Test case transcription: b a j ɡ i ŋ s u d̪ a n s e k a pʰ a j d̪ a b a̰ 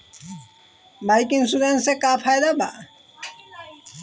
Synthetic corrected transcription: b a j k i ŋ s u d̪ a n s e k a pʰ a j d̪ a b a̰